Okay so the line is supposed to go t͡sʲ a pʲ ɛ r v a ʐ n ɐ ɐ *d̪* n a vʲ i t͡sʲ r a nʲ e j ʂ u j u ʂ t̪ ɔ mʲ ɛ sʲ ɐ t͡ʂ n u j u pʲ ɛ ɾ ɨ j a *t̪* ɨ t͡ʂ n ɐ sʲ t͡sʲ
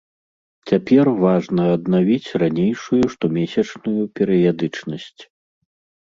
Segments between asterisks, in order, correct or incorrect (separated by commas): correct, incorrect